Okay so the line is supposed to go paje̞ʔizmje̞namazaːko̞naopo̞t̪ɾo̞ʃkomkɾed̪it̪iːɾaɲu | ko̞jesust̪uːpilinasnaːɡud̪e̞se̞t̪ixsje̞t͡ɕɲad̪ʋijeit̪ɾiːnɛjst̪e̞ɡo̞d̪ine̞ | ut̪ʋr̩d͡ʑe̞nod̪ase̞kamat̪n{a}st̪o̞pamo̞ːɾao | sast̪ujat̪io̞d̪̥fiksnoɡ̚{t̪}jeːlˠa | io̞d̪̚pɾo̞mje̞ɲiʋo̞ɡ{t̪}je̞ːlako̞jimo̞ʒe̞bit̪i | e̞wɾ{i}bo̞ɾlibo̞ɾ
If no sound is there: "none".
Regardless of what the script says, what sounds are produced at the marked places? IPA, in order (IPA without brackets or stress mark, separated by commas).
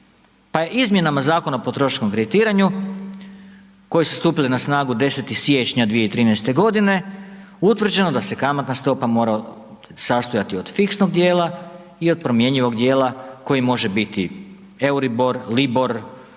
a, d̪, d̪, i